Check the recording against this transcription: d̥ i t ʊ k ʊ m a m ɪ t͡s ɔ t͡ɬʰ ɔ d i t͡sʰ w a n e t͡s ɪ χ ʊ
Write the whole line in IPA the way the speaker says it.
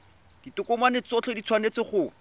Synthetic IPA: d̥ i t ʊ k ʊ m a n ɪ t͡s ɔ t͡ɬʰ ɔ d i t͡sʰ w a n e t͡s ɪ χ ʊ

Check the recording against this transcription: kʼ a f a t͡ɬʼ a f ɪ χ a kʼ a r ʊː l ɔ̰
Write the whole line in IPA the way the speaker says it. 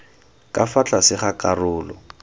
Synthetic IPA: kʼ a f a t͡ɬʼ a s ɪ χ a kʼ a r ʊː l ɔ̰

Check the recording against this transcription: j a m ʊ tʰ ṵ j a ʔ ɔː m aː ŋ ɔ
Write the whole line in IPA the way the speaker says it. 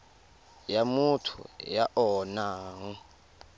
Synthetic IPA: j a m u tʰ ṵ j a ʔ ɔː n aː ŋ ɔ

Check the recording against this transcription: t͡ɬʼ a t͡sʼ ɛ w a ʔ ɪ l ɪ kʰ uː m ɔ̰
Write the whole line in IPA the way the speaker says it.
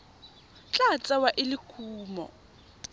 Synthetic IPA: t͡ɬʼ a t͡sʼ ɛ w a ʔ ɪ l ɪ kʰ uː m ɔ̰

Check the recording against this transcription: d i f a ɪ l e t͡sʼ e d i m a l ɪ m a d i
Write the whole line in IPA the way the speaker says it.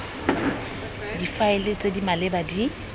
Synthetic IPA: d i f a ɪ l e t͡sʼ e d i m a l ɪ b a d i

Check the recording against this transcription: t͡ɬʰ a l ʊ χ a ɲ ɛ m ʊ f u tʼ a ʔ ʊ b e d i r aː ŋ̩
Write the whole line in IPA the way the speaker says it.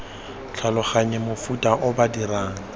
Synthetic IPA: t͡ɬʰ a l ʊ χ a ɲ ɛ m ʊ f u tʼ a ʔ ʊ b a d i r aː ŋ̩

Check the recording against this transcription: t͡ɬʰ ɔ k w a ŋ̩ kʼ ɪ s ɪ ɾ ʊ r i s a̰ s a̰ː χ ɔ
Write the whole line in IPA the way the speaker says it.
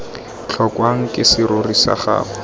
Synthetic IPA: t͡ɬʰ ɔ k w a ŋ̩ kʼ ɪ s ɪ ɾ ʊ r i s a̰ χ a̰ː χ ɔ

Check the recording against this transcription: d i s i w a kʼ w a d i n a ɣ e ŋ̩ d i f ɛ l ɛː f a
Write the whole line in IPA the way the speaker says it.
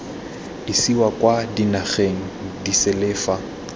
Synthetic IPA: d i s i w a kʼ w a d i n a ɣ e ŋ̩ d i s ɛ l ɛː f a

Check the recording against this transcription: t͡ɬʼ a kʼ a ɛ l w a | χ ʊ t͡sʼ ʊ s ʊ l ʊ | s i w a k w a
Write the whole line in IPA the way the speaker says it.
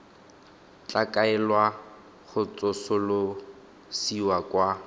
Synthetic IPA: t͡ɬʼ a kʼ a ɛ l w a | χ ʊ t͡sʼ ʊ s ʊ l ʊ | s i w a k w a

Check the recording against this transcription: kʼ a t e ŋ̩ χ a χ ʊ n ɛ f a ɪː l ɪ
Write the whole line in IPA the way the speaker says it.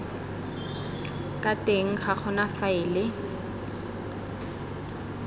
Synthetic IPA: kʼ a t e ŋ̩ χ a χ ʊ n a f a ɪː l ɪ

